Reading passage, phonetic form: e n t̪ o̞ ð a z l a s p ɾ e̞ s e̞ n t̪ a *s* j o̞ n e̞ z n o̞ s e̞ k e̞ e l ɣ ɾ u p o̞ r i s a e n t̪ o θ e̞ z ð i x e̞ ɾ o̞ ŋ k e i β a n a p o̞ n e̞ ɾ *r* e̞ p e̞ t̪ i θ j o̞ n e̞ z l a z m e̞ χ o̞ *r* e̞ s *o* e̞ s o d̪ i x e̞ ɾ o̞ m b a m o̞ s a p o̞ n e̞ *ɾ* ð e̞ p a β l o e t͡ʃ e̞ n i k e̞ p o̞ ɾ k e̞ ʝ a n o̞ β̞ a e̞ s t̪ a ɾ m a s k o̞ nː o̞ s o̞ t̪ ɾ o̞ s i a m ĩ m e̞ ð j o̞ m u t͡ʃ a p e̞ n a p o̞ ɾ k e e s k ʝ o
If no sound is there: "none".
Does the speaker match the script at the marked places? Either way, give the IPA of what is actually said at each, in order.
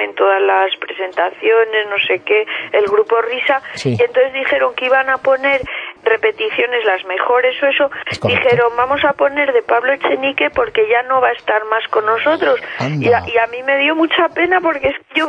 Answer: θ, r, ɾ, o, ɾ

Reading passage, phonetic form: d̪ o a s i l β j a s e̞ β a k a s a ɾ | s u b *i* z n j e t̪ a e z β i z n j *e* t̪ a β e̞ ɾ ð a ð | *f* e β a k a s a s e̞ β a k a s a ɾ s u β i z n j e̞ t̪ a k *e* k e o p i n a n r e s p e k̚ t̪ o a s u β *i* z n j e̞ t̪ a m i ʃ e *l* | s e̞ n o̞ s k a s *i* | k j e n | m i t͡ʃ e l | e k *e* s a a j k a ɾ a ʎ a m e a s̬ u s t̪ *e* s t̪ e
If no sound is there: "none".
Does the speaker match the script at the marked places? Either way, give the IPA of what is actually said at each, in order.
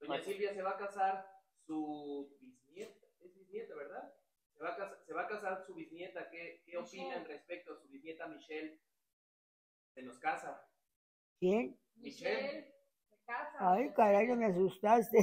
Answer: i, e, s, e, i, l, a, a, a

